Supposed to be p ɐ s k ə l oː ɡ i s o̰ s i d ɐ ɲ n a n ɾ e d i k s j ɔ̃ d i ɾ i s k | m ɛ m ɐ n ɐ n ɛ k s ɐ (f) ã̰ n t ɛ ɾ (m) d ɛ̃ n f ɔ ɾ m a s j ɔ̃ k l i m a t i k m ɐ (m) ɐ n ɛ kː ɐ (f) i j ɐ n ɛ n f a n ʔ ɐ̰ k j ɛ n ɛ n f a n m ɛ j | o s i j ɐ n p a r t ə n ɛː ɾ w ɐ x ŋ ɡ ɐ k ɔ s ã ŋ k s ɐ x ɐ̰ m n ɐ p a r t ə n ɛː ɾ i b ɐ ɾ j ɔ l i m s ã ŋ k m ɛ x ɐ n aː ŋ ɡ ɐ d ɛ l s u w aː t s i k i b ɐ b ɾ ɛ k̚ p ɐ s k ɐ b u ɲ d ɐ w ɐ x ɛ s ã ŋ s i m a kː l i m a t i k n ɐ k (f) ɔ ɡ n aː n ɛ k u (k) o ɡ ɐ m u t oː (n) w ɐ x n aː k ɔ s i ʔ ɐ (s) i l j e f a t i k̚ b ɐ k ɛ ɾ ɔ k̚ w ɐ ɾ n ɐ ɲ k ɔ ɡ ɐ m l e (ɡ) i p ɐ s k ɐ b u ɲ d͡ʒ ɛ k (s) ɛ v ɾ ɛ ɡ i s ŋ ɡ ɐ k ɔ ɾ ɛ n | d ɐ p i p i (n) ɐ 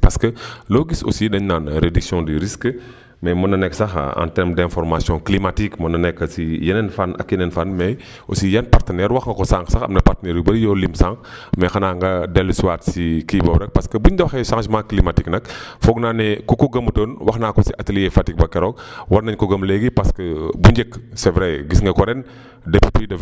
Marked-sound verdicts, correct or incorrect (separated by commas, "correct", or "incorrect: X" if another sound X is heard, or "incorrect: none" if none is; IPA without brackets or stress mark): incorrect: x, correct, incorrect: n, incorrect: s, correct, correct, correct, incorrect: t, correct, correct, incorrect: d